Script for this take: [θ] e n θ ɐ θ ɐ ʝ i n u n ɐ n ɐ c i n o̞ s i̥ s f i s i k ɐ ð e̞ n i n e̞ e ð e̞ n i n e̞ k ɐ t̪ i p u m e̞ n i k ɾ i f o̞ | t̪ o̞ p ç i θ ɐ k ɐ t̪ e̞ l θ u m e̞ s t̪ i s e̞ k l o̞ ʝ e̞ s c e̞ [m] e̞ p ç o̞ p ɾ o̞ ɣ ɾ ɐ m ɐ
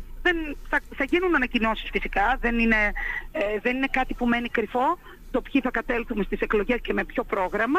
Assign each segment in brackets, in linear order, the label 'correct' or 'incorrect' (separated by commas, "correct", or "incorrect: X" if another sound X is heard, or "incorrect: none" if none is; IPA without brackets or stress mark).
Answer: incorrect: ð, correct